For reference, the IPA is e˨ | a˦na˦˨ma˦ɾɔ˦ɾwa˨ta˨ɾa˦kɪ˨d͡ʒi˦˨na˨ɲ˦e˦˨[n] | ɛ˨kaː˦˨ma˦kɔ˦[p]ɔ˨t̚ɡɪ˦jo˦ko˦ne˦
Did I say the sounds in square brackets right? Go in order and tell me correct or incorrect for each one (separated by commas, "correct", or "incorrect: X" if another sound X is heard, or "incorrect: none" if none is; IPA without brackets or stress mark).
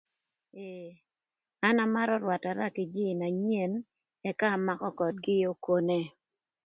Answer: correct, incorrect: k